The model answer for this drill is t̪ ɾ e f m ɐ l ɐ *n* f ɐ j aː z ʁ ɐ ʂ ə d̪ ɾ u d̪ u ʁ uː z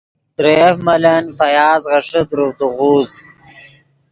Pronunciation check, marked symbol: correct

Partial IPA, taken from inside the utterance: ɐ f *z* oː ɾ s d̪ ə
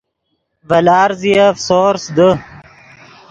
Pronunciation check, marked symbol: incorrect: s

